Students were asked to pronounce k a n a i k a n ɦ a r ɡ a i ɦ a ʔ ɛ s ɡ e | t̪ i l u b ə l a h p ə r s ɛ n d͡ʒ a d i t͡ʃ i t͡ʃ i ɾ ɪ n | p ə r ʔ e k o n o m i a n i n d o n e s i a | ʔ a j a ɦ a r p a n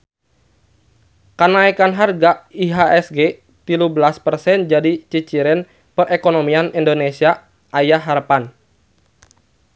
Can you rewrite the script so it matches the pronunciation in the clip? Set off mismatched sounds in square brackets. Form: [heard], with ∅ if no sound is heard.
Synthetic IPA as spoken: k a n a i k a n ɦ a r ɡ a i ɦ a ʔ ɛ s ɡ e | t̪ i l u b ə l a [s] p ə r s ɛ n d͡ʒ a d i t͡ʃ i t͡ʃ i ɾ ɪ n | p ə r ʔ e k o n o m i a n i n d o n e s i a | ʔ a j a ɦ a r p a n